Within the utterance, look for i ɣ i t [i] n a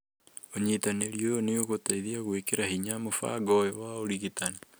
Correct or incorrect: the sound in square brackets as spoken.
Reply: incorrect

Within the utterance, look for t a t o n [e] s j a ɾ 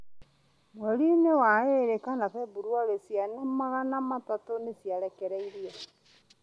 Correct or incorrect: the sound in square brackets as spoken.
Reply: correct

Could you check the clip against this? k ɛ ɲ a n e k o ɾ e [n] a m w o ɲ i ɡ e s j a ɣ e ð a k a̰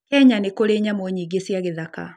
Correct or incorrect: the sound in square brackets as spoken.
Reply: incorrect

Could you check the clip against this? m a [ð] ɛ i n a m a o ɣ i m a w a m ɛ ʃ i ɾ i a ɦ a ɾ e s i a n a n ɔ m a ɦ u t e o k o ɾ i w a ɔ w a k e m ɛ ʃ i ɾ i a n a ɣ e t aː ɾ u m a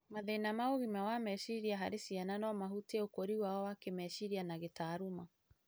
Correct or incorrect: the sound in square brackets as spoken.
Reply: correct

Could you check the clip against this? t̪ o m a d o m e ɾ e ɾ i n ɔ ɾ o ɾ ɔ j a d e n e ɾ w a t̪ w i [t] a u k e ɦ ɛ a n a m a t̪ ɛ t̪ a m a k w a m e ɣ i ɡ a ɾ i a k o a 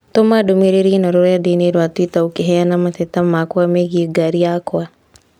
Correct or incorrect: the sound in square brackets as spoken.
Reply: correct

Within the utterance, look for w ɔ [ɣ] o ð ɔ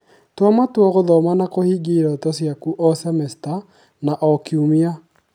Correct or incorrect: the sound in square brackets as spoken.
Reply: correct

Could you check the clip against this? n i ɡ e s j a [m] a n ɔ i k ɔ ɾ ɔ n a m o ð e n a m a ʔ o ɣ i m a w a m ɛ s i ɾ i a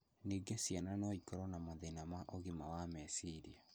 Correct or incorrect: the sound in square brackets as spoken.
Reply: incorrect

